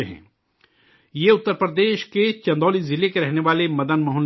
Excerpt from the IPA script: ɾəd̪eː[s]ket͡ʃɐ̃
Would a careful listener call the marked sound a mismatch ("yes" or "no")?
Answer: yes